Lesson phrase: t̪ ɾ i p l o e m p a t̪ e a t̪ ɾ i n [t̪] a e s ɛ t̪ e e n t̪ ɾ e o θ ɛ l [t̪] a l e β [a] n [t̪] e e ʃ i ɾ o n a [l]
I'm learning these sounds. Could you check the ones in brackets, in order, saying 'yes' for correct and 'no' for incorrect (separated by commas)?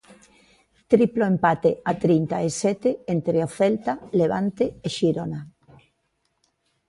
yes, yes, yes, yes, no